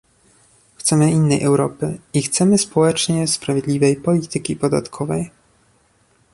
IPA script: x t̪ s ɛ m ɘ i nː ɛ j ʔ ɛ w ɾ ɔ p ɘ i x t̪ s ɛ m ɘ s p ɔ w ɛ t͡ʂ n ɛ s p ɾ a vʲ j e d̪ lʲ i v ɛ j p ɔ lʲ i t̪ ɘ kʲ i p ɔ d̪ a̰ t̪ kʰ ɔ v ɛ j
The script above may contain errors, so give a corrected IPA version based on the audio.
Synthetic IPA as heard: x t̪ s ɛ m ɘ i nː ɛ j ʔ ɛ w ɾ ɔ p ɘ i x t̪ s ɛ m ɘ s p ɔ w ɛ t͡ʂ ɲ ɛ s p ɾ a vʲ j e d̪ lʲ i v ɛ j p ɔ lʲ i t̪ ɘ kʲ i p ɔ d̪ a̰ t̪ kʰ ɔ v ɛ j